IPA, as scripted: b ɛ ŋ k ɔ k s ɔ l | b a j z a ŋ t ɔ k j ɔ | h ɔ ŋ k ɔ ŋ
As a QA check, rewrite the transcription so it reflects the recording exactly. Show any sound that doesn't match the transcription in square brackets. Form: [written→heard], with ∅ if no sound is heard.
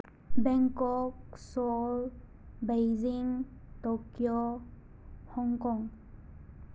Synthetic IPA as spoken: b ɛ ŋ k ɔ k s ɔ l | b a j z [a→i] ŋ t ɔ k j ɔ | h ɔ ŋ k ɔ ŋ